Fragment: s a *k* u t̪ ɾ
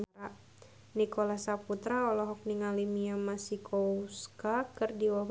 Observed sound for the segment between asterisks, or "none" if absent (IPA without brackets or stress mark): p